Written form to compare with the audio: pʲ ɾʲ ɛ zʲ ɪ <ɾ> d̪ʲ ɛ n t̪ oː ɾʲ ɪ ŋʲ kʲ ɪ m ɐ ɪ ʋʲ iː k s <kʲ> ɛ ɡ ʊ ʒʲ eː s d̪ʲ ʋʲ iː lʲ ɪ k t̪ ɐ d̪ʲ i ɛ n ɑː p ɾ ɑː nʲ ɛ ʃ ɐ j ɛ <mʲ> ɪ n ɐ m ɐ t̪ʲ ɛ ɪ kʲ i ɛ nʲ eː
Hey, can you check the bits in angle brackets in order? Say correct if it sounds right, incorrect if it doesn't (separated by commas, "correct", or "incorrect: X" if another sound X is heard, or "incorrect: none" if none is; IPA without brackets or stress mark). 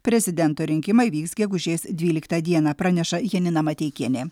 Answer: incorrect: none, incorrect: ɡʲ, incorrect: nʲ